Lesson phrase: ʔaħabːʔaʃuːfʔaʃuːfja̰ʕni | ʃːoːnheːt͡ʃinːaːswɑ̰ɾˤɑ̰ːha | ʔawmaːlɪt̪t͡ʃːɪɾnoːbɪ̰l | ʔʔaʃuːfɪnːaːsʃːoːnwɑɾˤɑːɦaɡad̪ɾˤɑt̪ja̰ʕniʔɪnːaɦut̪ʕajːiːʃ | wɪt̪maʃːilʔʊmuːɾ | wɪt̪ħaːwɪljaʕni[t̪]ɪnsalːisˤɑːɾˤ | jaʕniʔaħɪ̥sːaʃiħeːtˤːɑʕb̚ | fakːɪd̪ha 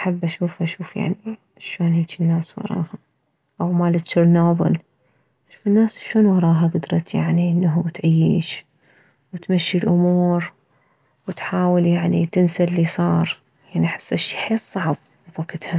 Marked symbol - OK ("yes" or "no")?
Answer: yes